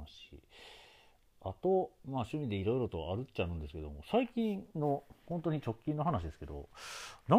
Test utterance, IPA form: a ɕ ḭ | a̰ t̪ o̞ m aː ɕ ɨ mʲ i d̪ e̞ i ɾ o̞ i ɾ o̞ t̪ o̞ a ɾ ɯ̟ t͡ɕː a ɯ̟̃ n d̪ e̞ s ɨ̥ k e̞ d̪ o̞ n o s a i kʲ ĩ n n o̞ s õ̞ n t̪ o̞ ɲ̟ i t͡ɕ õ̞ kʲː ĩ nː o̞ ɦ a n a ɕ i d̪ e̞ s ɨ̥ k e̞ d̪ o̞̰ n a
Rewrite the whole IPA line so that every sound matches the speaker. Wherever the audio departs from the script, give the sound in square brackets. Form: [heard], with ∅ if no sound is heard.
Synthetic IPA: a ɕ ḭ | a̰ t̪ o̞ m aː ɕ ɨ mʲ i d̪ e̞ i ɾ o̞ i ɾ o̞ t̪ o̞ a ɾ ɯ̟ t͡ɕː a ɯ̟̃ n d̪ e̞ s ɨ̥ k e̞ d̪ o̞ [m] o s a i kʲ ĩ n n o̞ [h] õ̞ n t̪ o̞ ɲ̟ i t͡ɕ [o̞] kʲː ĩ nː o̞ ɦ a n a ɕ i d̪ e̞ s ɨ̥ k e̞ d̪ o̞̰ n a